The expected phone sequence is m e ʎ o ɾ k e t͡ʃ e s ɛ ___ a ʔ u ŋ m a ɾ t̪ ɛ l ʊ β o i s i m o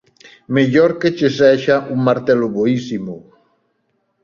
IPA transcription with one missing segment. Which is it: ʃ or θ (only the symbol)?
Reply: ʃ